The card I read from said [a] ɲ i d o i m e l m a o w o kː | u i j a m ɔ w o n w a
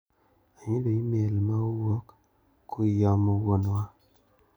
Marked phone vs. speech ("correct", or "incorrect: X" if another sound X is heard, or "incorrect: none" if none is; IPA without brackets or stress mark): correct